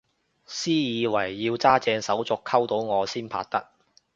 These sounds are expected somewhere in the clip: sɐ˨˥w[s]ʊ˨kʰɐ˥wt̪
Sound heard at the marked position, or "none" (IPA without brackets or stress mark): t͡s